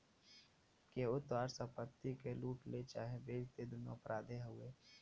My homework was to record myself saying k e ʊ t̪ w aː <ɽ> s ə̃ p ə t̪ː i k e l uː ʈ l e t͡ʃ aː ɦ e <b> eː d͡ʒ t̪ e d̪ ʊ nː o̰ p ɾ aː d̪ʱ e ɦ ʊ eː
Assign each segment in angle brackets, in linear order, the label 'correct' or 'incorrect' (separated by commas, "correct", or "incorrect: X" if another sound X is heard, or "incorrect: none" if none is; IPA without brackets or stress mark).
incorrect: ɾ, correct